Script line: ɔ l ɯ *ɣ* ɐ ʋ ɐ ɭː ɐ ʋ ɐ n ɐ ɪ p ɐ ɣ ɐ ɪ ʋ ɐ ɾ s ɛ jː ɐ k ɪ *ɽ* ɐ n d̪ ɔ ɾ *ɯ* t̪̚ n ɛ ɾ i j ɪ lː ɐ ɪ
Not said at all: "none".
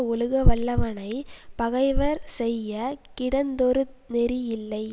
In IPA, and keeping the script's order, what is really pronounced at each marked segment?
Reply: ɣ, ɽ, ɯ

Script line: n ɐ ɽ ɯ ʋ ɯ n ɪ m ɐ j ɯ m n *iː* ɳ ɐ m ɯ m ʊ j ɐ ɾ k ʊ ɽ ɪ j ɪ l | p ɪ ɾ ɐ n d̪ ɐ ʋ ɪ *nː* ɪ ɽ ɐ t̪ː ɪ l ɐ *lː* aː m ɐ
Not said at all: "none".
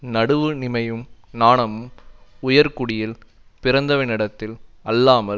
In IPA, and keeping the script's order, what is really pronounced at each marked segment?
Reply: aː, n, lː

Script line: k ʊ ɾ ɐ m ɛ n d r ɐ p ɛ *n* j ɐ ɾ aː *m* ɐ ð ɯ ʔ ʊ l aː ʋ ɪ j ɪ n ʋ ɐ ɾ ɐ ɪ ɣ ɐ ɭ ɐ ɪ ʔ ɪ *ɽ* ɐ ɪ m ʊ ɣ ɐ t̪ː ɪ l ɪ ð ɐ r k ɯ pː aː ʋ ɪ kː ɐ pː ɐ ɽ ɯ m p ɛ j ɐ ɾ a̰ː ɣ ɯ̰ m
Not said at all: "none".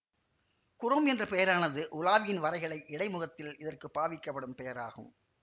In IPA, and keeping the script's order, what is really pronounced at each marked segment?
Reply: none, n, ɽ

